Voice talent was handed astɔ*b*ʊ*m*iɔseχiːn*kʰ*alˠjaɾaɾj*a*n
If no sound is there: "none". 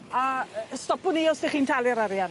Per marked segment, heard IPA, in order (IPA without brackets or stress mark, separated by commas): p, n, tʰ, a